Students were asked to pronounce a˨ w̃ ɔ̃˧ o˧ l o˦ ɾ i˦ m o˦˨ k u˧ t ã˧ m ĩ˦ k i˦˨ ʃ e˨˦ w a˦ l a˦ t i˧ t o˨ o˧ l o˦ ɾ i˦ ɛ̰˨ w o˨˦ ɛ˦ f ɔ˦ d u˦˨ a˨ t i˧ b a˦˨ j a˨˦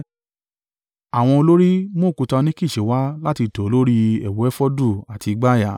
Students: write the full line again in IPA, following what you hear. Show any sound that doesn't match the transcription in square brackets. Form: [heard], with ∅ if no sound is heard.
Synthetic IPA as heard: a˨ w̃ ɔ̃˧ o˧ l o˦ ɾ i˦ m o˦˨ k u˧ t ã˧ [n] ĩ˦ k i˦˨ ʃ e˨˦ w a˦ l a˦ t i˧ t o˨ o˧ l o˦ ɾ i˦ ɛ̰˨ w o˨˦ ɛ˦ f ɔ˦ d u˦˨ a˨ t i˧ [ɡ͡b] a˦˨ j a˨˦